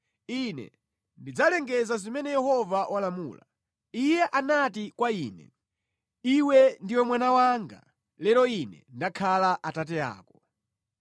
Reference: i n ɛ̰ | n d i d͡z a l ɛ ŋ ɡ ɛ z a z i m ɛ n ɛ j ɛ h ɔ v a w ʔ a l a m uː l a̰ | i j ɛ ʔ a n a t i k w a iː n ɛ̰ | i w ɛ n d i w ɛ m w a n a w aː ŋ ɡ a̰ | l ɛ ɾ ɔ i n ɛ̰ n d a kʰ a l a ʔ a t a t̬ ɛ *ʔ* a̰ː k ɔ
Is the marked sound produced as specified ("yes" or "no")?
no